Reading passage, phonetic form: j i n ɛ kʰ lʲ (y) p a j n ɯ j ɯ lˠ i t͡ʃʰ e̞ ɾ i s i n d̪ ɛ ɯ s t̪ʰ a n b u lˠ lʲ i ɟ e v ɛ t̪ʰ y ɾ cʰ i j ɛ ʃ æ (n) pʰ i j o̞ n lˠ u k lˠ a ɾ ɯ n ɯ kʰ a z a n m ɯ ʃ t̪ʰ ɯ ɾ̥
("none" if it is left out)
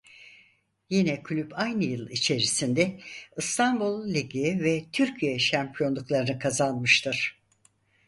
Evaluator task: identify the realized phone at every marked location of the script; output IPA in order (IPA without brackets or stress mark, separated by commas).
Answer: y, m